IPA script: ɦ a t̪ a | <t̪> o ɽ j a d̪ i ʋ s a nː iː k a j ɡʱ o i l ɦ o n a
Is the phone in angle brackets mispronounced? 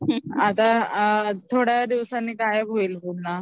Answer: yes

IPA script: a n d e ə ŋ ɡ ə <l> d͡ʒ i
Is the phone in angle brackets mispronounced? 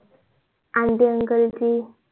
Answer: no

